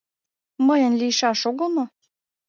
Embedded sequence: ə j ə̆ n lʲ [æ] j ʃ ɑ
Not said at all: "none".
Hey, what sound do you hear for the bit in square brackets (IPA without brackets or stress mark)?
i